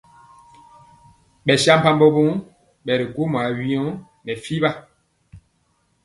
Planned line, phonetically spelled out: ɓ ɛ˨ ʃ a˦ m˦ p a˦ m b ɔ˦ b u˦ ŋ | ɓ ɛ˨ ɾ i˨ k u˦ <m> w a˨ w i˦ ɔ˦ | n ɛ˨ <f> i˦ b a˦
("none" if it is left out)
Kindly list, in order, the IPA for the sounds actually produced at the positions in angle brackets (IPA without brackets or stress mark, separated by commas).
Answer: m, f